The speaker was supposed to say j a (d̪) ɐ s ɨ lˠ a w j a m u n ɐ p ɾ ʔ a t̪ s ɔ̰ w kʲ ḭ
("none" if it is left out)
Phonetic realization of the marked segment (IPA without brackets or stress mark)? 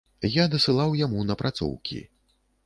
d̪